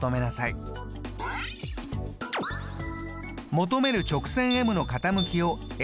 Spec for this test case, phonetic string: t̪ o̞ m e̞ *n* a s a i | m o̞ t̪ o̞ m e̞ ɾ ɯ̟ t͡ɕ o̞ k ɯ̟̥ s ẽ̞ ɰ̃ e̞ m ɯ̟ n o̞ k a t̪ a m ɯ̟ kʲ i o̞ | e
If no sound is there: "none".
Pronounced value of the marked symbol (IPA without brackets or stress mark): n